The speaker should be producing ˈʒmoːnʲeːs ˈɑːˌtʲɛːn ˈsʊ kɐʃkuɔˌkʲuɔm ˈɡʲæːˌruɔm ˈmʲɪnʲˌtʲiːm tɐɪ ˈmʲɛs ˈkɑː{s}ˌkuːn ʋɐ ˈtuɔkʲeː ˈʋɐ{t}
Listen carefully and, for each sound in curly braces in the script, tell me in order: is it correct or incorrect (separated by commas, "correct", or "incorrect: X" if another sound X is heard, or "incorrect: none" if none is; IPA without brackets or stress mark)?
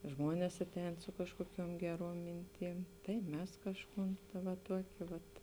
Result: incorrect: ʃ, correct